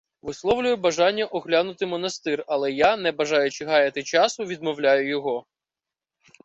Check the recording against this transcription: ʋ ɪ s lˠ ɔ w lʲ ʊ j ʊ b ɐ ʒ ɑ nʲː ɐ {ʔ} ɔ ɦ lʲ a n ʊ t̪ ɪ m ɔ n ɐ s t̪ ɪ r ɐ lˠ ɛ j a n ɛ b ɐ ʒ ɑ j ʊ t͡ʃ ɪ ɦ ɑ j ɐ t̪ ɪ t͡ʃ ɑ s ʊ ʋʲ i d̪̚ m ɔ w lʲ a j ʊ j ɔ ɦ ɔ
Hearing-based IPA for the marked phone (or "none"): ʔ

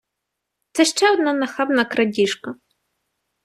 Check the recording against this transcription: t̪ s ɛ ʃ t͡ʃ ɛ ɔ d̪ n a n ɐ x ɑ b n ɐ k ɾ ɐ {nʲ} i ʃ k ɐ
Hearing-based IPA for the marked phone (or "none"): dʲ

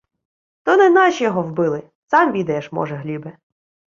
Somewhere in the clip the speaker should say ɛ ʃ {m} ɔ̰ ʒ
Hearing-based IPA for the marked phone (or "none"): m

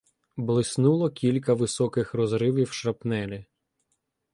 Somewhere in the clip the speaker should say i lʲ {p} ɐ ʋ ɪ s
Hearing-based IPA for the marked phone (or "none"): k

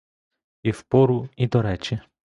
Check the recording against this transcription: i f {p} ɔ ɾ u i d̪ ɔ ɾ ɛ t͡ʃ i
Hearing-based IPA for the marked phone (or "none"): p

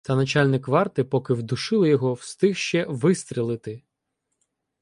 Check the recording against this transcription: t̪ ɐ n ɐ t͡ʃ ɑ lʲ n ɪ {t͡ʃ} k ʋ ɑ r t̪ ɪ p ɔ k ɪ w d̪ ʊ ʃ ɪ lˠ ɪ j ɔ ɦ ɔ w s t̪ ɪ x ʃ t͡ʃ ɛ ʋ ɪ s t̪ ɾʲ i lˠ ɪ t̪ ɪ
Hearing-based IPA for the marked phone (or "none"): none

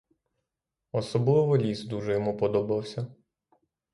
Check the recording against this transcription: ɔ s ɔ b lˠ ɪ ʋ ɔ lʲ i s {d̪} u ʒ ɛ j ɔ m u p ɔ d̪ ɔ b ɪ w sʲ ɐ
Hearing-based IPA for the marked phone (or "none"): d̪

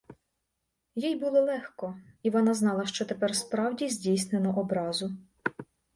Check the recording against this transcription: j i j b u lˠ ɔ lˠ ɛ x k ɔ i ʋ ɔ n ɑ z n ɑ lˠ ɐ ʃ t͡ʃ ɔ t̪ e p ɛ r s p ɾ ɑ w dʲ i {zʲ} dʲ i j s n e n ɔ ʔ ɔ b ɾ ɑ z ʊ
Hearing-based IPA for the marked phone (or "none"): zʲ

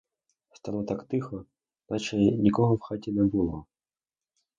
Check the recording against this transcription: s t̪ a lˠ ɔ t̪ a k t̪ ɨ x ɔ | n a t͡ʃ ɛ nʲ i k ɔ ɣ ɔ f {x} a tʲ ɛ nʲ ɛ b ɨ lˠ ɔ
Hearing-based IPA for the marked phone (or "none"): x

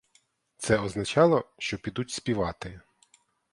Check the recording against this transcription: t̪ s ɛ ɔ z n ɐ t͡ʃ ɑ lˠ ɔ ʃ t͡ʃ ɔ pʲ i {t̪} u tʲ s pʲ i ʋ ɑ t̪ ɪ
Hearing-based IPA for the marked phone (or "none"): d̪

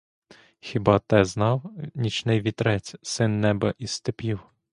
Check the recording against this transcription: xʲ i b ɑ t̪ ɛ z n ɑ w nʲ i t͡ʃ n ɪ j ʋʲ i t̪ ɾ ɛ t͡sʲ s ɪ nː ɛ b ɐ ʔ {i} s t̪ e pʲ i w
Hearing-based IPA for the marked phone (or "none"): i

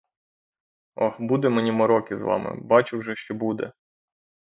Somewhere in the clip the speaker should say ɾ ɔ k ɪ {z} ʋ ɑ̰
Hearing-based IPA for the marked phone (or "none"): z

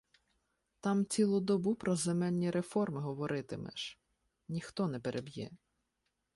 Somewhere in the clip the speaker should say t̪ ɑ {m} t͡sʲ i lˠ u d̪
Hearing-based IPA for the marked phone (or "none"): m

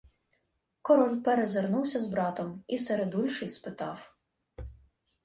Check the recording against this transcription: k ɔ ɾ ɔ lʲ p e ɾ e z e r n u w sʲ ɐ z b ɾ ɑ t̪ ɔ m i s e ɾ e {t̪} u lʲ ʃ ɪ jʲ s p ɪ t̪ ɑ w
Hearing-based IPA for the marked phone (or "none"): d̪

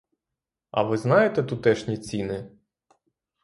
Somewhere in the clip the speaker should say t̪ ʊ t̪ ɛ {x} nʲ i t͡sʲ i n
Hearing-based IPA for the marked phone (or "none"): ʃ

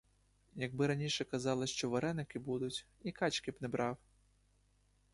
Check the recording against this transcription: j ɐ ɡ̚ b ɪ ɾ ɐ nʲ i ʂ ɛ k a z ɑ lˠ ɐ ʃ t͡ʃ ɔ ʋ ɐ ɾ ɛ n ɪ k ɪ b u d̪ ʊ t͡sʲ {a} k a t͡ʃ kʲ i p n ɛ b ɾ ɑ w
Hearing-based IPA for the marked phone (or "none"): i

